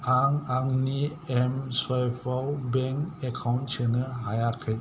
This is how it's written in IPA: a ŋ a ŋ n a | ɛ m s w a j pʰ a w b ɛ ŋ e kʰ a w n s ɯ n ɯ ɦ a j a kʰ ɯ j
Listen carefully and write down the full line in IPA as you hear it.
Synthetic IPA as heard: a ŋ a ŋ n i | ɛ m s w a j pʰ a w b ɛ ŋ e kʰ a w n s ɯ n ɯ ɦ a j a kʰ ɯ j